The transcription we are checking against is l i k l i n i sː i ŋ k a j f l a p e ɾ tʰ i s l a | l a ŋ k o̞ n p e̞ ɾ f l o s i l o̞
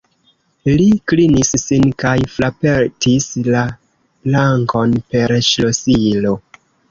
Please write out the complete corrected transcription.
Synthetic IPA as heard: l i k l i n i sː i n k a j f l a p e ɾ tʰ i s l a | l a ŋ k o̞ n p e̞ ɾ ʃ l o s i l o̞